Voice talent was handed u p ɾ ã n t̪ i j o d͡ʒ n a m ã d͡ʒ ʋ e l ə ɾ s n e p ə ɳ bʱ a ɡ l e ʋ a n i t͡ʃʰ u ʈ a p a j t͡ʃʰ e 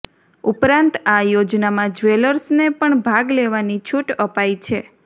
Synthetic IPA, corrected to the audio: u p ɾ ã n t̪ a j o d͡ʒ n a m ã d͡ʒ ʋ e l ə ɾ s n e p ə ɳ bʱ a ɡ l e ʋ a n i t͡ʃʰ u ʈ ə p a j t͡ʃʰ e

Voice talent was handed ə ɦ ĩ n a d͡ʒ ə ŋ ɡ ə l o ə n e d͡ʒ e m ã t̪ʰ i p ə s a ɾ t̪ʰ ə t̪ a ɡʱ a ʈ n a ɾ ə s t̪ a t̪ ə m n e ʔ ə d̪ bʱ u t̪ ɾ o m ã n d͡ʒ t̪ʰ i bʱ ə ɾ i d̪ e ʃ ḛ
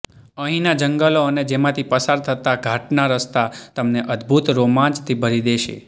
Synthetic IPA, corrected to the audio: ə ɦ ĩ n a d͡ʒ ə ŋ ɡ ə l o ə n e d͡ʒ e m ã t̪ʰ i p ə s a ɾ t̪ʰ ə t̪ a ɡʱ a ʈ n a ɾ ə s t̪ a t̪ ə m n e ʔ ə d̪ bʱ u t̪ ɾ o m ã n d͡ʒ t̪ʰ i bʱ ə ɾ i d̪ e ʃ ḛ

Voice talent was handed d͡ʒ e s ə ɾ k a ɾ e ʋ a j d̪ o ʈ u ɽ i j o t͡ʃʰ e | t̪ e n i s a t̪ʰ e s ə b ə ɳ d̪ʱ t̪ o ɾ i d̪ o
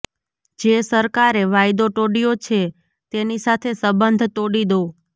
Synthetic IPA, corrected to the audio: d͡ʒ e s ə ɾ k a ɾ e ʋ a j d̪ o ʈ o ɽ i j o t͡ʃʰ e | t̪ e n i s a t̪ʰ e s ə b ə n d̪ʱ t̪ o ɽ i d̪ o

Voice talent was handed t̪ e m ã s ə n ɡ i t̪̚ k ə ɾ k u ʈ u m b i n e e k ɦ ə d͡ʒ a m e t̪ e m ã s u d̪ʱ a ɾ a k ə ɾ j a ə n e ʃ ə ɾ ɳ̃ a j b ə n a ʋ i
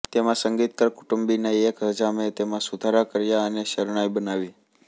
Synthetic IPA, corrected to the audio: t̪ e m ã s ə ŋ ɡ i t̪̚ k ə ɾ k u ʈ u m b i n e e k ɦ ə d͡ʒ a m e t̪ e m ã s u d̪ʱ a ɾ a k ə ɾ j a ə n e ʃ ə ɾ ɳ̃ a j b ə n a ʋ i

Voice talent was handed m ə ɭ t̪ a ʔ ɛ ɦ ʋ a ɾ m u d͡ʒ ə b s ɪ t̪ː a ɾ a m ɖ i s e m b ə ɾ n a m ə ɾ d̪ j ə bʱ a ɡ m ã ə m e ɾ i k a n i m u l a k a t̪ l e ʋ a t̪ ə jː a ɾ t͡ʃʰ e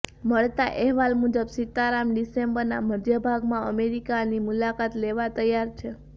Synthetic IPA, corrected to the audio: m ə ɭ t̪ a ʔ ɛ ɦ ʋ a l m u d͡ʒ ə b s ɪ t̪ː a ɾ a m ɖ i s e m b ə ɾ n a m ə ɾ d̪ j ə bʱ a ɡ m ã ə m e ɾ i k a n i m u l a k a t̪ l e ʋ a t̪ ə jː a ɾ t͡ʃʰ e

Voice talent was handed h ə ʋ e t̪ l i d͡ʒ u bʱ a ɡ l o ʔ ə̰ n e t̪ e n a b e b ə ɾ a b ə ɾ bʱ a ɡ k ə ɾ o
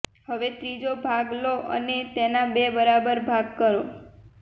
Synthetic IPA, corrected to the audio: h ə ʋ e t̪ ɾ i d͡ʒ o bʱ a ɡ l o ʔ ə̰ n e t̪ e n a b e b ə ɾ a b ə ɾ bʱ a ɡ k ə ɾ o

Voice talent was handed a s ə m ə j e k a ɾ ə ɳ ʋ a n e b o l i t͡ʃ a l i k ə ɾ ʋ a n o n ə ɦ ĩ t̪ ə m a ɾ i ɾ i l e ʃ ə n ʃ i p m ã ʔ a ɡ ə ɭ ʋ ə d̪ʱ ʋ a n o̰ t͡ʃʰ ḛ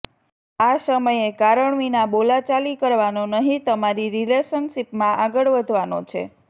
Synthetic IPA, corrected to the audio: a s ə m ə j e k a ɾ ə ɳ ʋ i n a b o l a t͡ʃ a l i k ə ɾ ʋ a n o n ə ɦ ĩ t̪ ə m a ɾ i ɾ i l e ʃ ə n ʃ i p m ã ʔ a ɡ ə ɭ ʋ ə d̪ʱ ʋ a n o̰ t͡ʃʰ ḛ

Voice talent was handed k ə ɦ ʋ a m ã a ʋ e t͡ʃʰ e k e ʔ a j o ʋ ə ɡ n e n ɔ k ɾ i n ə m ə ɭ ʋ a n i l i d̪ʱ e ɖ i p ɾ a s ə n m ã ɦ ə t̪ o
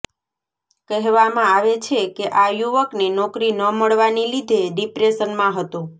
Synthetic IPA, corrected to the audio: k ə ɦ ʋ a m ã a ʋ e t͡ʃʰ e k e ʔ a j u ʋ ə k n e n ɔ k ɾ i n ə m ə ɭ ʋ a n i l i d̪ʱ e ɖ i p ɾ e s ə n m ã ɦ ə t̪ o

